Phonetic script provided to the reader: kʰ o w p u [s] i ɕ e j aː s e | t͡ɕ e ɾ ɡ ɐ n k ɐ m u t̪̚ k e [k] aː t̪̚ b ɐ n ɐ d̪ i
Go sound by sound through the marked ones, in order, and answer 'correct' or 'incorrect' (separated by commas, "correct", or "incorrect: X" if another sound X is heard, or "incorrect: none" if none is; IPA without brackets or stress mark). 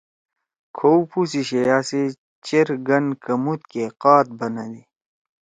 correct, incorrect: q